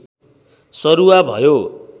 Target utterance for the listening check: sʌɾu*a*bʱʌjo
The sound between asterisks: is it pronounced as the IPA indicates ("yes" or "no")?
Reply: yes